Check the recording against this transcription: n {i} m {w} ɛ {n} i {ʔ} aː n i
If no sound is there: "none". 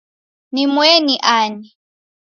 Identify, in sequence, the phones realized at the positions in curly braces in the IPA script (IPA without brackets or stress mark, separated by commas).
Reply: i, w, n, ʔ